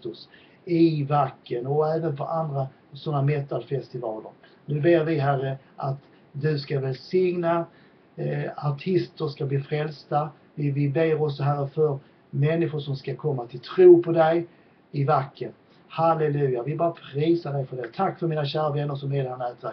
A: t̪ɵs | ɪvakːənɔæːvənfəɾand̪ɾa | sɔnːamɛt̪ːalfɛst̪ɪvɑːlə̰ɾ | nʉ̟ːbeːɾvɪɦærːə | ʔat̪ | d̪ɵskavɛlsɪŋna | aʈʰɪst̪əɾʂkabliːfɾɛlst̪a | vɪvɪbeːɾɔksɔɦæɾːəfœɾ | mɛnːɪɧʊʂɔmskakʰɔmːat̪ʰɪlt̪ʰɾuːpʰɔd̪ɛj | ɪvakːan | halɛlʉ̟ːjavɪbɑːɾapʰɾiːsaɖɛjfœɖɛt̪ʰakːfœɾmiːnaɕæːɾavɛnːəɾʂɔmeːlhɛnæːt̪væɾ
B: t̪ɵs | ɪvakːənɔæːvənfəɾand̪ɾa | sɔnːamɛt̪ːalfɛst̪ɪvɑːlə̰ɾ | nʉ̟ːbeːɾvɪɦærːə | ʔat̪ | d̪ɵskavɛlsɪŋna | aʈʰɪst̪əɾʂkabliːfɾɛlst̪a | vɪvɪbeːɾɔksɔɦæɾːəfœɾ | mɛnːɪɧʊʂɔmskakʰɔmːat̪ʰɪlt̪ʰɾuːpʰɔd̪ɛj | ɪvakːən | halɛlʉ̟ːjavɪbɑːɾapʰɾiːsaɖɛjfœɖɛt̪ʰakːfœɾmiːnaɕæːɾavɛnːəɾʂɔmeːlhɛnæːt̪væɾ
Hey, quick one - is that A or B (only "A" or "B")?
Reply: B